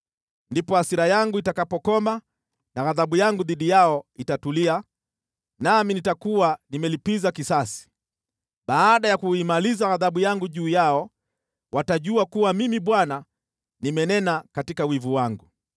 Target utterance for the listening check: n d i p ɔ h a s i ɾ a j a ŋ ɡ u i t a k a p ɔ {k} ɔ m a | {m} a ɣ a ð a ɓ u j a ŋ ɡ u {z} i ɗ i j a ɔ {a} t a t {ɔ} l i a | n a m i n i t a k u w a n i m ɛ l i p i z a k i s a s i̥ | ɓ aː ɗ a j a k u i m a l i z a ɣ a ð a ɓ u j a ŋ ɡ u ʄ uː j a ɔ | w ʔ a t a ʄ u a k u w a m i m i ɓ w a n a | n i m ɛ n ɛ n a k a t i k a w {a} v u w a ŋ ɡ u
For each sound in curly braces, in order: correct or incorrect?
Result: correct, incorrect: n, incorrect: ð, incorrect: i, incorrect: u, incorrect: i

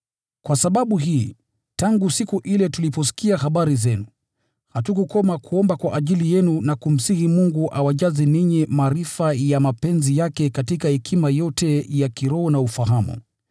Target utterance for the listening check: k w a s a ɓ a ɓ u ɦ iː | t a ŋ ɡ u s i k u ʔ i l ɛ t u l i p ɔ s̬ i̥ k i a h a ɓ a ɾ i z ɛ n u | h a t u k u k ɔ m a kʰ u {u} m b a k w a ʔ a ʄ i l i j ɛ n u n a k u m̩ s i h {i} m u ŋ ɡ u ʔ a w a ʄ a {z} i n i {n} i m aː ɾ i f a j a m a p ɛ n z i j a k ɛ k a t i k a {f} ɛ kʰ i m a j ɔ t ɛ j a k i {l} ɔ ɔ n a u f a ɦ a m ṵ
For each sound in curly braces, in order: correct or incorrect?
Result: incorrect: ɔ, correct, correct, incorrect: ɲ, incorrect: h, incorrect: ɾ

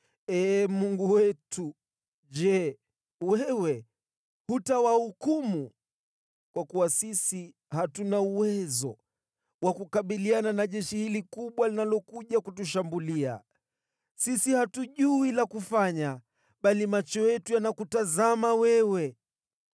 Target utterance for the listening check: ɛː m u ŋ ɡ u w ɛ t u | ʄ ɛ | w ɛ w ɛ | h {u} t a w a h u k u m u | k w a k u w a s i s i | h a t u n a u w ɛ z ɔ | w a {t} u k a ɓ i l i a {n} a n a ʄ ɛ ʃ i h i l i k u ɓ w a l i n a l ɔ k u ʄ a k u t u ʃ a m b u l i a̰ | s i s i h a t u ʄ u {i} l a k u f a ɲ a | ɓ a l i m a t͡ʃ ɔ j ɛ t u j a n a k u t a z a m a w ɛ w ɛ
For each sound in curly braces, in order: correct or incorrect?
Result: correct, incorrect: k, correct, correct

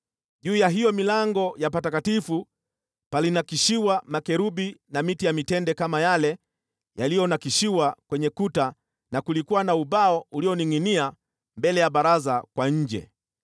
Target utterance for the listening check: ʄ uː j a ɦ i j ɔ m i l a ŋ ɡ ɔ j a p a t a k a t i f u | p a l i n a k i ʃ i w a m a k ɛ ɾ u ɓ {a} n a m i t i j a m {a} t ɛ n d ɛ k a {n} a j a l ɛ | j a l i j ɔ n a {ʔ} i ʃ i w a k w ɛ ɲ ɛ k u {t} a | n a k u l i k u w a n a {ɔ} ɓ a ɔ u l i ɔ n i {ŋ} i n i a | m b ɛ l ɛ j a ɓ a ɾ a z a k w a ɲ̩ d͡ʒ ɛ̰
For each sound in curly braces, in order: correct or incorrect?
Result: incorrect: i, incorrect: i, incorrect: m, incorrect: k, correct, incorrect: u, correct

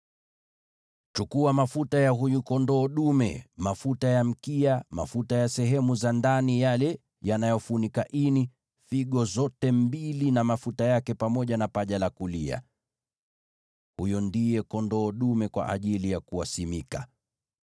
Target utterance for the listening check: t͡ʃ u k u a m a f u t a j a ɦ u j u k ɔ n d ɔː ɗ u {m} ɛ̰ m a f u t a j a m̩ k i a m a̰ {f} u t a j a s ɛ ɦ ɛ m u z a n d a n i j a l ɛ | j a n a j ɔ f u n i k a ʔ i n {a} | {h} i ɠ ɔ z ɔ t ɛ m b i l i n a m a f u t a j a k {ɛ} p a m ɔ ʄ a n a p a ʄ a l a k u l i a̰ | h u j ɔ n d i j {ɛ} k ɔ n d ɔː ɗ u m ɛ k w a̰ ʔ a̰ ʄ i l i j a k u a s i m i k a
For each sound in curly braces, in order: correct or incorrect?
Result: correct, correct, incorrect: i, incorrect: f, correct, correct

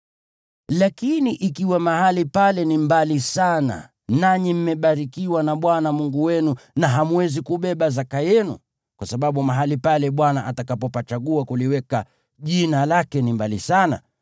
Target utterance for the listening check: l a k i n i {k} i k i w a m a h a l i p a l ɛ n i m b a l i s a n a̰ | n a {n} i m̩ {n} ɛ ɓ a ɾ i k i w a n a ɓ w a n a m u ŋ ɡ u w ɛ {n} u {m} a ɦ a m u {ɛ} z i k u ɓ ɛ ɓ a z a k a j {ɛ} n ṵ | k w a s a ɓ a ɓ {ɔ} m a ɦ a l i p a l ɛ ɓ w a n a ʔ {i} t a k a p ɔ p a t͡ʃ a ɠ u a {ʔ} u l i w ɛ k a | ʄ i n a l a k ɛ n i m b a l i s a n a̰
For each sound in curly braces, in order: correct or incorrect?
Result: incorrect: ʔ, incorrect: ɲ, incorrect: m, correct, incorrect: n, correct, correct, incorrect: u, incorrect: a, incorrect: k

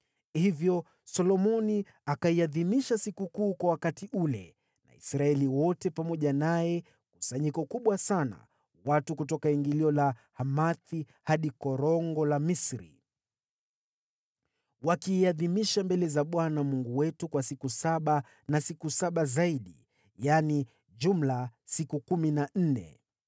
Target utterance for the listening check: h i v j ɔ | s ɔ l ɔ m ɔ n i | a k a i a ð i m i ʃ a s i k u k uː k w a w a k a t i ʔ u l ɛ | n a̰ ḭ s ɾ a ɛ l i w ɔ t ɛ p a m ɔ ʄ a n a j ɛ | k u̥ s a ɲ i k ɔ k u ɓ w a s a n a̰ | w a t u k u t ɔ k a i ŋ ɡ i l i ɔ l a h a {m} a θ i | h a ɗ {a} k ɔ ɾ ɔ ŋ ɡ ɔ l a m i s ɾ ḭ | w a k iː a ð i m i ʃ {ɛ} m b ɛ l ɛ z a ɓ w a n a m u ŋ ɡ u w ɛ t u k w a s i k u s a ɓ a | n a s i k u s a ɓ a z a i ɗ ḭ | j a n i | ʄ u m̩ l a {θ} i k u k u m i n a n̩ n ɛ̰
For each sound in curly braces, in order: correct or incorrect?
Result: correct, incorrect: i, incorrect: a, incorrect: s

